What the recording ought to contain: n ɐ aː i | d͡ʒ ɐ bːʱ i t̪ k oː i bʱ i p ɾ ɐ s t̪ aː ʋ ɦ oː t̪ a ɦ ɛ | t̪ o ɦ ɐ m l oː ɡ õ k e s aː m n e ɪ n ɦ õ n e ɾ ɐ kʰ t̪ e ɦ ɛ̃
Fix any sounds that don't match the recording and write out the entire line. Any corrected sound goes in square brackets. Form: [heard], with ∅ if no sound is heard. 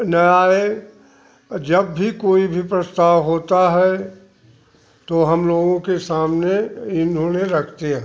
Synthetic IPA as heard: n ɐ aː [e] | d͡ʒ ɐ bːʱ i [∅] k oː i bʱ i p ɾ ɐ s t̪ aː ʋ ɦ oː t̪ a ɦ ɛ | t̪ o ɦ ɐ m l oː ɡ õ k e s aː m n e ɪ n ɦ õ n e ɾ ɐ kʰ t̪ e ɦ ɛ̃